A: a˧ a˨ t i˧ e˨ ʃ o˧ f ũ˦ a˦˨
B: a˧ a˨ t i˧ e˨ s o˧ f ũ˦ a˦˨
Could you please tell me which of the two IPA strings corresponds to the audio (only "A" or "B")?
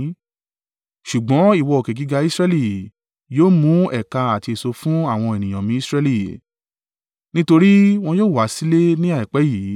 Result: B